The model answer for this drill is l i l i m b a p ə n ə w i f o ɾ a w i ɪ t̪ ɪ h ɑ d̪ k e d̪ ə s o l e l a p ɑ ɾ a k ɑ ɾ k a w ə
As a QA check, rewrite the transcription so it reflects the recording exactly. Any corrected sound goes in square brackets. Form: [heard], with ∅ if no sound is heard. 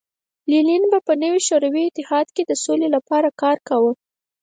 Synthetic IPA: l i l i [n] b a p ə n ə w i [ʃ] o ɾ a w i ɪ t̪ ɪ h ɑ d̪ k e d̪ ə s o l e l a p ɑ ɾ a k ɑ ɾ k a w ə